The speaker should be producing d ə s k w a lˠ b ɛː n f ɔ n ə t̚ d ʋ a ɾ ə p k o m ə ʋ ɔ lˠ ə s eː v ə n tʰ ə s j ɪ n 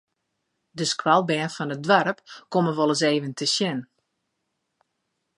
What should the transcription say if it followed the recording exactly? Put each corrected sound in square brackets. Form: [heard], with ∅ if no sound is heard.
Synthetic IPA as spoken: d ə s k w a lˠ b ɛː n f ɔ n ə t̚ d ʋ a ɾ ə p k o m ə ʋ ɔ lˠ ə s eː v ə n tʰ ə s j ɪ n